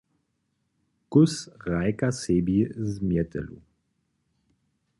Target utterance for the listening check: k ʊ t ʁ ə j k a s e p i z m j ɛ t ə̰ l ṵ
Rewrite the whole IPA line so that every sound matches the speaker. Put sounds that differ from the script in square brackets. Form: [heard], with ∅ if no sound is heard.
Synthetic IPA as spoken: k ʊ [s] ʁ [a] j k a s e [b] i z m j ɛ t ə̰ l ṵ